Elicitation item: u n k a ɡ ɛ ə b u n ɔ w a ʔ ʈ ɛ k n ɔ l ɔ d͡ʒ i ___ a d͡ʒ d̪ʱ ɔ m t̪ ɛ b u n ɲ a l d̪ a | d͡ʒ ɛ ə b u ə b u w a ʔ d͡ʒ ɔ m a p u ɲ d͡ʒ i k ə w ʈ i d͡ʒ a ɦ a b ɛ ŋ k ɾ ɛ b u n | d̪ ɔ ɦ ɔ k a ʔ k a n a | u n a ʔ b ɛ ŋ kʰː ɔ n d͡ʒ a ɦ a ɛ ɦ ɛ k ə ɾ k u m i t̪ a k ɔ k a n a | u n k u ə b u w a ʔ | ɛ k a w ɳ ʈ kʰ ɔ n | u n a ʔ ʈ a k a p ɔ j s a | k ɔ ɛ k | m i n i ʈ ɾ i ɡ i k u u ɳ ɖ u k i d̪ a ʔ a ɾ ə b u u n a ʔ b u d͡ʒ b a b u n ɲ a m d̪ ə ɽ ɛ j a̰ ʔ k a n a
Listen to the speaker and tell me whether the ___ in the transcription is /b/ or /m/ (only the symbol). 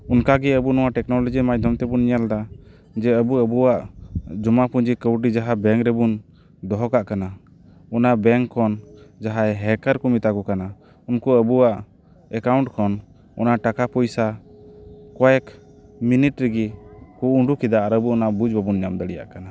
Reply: m